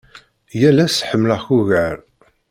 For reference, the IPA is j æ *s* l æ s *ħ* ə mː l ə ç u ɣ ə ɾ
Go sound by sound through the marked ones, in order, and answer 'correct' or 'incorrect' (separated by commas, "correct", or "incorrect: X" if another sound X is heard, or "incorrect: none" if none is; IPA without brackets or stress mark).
incorrect: none, correct